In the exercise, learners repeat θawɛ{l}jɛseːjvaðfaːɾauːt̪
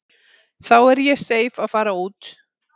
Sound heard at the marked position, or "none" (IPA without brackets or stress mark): ɾ